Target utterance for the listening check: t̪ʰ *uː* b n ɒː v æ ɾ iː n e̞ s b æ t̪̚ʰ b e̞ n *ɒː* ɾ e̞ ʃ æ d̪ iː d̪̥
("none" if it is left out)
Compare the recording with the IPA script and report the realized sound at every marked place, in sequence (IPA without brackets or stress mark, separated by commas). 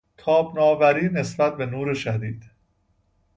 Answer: ɒː, uː